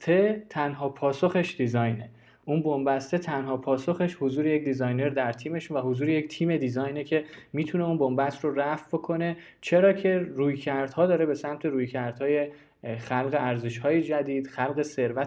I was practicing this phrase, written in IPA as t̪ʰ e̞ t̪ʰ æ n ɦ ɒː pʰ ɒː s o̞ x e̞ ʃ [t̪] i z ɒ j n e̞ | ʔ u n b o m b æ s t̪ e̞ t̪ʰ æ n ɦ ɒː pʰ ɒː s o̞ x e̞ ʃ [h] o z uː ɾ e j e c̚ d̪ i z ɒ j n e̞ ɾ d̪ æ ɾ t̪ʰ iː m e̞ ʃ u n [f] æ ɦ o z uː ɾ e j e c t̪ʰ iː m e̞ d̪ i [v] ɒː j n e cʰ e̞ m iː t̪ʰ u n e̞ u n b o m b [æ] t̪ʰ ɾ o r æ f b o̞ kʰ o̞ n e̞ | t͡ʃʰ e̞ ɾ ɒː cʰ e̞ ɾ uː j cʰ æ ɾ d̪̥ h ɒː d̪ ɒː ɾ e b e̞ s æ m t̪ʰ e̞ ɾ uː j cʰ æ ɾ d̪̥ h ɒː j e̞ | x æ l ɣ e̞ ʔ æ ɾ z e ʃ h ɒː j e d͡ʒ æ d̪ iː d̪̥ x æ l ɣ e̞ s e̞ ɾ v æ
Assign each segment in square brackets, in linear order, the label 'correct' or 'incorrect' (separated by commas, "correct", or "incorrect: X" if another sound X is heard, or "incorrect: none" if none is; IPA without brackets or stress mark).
incorrect: d̪, correct, incorrect: v, incorrect: z, correct